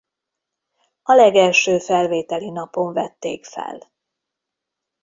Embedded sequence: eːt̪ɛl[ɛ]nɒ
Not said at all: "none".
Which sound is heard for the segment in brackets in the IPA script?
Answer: i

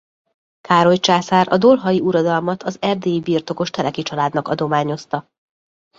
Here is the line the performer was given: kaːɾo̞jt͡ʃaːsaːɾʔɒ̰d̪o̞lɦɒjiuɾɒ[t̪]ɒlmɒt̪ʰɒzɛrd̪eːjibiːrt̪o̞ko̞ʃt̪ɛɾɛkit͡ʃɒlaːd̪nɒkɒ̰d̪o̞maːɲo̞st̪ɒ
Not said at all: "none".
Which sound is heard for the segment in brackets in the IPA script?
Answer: d̪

